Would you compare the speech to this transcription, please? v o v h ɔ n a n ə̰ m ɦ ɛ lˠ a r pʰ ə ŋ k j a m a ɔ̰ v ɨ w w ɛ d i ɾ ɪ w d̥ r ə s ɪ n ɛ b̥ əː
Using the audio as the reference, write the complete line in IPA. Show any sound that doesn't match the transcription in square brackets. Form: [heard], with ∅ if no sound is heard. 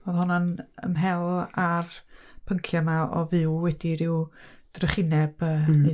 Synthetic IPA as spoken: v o [ð] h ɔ n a n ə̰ m ɦ ɛ lˠ a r pʰ ə ŋ [kʰ] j a m a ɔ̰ v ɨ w w ɛ d i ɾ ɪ w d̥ r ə [χ] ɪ n ɛ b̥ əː